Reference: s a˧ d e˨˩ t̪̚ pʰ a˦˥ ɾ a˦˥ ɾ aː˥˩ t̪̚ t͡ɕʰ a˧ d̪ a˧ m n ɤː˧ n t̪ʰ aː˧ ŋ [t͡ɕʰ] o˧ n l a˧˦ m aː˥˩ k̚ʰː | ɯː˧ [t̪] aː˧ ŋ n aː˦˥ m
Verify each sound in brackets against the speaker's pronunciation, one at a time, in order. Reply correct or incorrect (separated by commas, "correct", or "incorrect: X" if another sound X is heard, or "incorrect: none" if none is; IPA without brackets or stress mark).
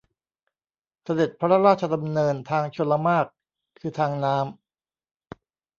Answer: correct, incorrect: t̪ʰ